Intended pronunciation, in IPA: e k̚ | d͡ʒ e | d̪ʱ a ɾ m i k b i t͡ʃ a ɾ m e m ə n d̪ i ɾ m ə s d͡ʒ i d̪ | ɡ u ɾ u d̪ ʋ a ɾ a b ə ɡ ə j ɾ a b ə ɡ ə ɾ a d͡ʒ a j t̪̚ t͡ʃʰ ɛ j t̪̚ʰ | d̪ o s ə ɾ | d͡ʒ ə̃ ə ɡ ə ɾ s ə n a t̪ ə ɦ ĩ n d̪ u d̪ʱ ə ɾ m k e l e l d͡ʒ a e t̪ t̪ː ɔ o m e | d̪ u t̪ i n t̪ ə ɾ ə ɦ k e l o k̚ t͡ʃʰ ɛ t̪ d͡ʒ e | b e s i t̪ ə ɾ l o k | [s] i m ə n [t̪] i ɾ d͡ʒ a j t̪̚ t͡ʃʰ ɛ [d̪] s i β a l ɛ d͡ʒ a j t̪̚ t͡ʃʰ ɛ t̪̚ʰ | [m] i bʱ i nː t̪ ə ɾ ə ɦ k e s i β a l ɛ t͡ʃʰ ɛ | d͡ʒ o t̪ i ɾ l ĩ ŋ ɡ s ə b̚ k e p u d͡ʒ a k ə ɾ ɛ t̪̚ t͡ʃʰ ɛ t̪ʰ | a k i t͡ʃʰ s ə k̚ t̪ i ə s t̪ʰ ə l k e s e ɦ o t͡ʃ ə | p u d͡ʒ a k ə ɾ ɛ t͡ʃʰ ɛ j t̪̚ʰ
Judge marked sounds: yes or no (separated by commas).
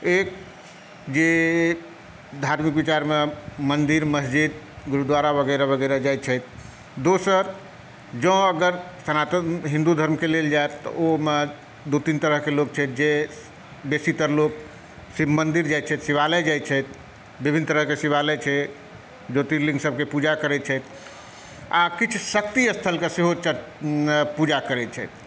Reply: yes, no, no, no